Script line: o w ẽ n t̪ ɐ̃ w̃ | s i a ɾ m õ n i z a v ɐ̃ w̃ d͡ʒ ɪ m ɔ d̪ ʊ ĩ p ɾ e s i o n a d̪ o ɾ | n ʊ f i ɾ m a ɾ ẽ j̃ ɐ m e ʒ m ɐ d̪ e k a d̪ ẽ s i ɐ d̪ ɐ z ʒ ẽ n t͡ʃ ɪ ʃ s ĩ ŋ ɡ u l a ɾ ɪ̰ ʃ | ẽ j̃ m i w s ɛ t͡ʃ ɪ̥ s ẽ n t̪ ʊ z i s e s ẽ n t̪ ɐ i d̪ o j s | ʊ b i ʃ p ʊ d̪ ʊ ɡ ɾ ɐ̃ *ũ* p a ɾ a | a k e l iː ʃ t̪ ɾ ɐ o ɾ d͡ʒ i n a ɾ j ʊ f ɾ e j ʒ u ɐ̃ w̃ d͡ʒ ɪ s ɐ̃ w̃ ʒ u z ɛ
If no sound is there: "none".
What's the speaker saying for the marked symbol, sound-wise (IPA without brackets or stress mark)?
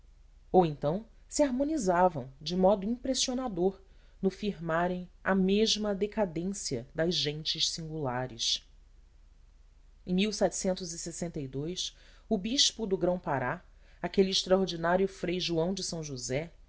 w̃